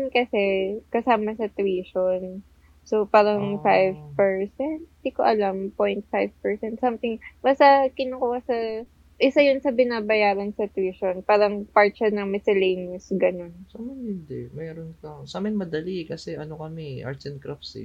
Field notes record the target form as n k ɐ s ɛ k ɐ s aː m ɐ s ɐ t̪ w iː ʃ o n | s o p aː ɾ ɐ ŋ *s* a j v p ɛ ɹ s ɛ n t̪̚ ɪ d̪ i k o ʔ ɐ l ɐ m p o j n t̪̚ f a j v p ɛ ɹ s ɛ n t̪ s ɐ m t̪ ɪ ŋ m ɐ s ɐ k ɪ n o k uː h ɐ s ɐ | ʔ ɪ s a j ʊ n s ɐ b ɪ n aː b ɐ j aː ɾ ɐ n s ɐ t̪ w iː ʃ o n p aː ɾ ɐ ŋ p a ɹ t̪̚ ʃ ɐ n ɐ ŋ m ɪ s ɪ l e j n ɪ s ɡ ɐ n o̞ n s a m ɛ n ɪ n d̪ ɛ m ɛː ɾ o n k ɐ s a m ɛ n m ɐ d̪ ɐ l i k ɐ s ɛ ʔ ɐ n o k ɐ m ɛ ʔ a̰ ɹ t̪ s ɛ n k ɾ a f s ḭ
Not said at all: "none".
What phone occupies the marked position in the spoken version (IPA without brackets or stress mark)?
f